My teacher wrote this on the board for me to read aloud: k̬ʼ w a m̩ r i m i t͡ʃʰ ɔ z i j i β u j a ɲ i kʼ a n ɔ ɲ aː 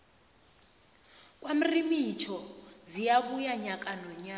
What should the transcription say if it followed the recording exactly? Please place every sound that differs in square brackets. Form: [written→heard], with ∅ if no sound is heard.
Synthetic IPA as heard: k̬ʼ w a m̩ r i m i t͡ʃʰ ɔ z i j [i→a] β u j a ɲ [i→a] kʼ a n ɔ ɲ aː